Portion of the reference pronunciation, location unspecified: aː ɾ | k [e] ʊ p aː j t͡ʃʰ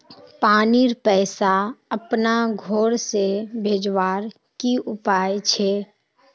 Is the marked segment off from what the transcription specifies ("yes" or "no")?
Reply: yes